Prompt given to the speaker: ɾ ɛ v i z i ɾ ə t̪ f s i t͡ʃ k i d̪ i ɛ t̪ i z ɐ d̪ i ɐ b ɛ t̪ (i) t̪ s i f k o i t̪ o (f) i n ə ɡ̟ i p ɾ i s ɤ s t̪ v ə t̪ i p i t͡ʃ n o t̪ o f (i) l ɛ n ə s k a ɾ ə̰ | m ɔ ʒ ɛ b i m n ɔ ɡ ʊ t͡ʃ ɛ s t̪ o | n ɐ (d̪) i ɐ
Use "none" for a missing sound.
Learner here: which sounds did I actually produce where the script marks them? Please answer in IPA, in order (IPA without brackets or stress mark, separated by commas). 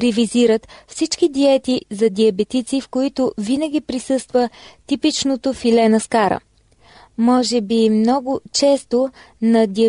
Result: i, v, i, d̪